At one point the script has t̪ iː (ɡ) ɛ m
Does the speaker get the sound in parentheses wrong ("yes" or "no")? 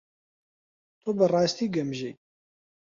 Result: no